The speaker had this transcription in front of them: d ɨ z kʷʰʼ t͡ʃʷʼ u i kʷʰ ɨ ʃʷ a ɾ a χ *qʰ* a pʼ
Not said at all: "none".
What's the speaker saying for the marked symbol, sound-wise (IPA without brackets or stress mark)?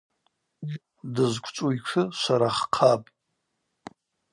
qʰ